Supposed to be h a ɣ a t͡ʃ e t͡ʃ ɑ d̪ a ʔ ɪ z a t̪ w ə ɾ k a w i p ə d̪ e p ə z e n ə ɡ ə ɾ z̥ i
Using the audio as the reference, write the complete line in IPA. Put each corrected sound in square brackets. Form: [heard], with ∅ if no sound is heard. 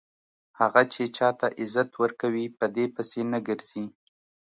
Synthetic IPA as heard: h a ɣ a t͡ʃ e t͡ʃ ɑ [t̪] a ʔ ɪ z a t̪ w ə ɾ k a w i p ə d̪ e p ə [s] e n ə ɡ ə ɾ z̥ i

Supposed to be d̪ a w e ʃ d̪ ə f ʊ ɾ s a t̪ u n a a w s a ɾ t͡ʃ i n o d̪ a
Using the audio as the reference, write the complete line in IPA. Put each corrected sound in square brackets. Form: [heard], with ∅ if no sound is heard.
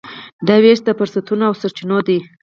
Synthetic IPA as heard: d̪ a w e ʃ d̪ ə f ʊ ɾ s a t̪ u n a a w s a ɾ t͡ʃ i n o d̪ [i]

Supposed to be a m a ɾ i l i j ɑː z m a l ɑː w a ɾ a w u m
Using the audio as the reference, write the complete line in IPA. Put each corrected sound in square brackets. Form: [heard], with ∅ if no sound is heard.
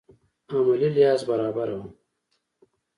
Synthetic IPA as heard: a m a [l] i l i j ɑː z [b] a [ɾ] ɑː [b] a ɾ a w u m

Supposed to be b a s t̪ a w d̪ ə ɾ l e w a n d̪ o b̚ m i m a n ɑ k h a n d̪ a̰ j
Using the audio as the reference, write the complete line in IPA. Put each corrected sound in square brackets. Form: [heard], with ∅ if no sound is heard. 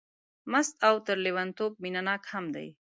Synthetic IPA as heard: [m] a s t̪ a w [t̪] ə ɾ l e w a n [t̪] o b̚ m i [n] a n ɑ k h a [m] d̪ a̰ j

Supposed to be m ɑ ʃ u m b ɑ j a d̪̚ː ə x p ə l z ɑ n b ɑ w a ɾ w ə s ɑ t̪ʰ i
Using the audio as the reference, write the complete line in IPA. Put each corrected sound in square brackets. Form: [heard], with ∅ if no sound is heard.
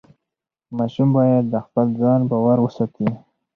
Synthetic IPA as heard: m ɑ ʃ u m b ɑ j a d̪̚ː ə x p ə l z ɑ n b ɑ w a ɾ w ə s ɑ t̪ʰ i

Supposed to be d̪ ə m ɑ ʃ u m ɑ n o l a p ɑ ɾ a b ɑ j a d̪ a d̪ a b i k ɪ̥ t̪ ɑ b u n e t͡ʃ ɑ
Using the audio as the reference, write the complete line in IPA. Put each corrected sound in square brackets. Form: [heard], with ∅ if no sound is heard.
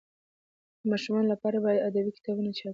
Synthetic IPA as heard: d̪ ə m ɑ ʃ u m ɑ n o l a p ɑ ɾ a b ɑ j a d̪ a d̪ a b i k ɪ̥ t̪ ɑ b u n [a] t͡ʃ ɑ

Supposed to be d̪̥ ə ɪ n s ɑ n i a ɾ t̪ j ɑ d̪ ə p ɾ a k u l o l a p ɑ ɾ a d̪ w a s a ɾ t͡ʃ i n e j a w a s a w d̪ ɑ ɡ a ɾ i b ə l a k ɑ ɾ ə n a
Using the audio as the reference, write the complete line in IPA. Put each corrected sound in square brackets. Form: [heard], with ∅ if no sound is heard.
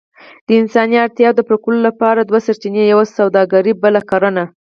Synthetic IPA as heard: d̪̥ ə ɪ n s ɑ n i a ɾ t̪ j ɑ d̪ ə p ɾ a k u l o l a p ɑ ɾ a d̪ w a s a ɾ t͡ʃ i n e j a w a s a w d̪ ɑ ɡ a ɾ i b ə l a k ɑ ɾ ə n a

